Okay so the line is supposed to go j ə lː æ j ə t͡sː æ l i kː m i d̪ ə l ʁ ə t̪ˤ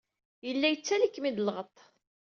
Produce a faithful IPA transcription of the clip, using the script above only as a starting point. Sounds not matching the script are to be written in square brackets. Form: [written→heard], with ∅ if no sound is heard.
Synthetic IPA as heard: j ə lː æ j ə t͡sː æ l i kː m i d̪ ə l ʁ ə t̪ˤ